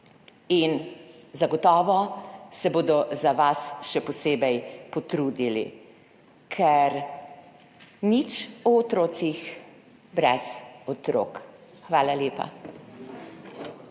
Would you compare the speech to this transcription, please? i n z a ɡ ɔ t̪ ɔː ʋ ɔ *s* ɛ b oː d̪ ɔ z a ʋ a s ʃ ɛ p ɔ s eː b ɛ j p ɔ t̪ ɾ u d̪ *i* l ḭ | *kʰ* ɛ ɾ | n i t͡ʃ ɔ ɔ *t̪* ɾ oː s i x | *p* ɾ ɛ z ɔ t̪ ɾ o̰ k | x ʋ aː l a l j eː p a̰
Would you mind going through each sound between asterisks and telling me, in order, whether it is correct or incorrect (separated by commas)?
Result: correct, correct, correct, correct, incorrect